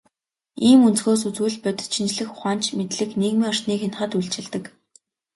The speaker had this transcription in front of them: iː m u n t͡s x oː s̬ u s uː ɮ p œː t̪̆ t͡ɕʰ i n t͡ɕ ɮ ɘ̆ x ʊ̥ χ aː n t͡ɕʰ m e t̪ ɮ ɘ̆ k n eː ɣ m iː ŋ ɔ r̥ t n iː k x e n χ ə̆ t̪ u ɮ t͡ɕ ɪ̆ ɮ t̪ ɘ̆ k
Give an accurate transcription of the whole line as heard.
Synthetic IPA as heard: iː m u n t͡s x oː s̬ u t͡s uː ɮ p œ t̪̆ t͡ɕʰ i n t͡ɕ ɮ ɘ̆ x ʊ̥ χ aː n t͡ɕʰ m e t̪ ɮ ɘ̆ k n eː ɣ m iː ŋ ɔ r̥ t n iː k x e n χ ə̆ t̪ u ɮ t͡ɕ ɪ̆ ɮ t̪ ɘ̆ k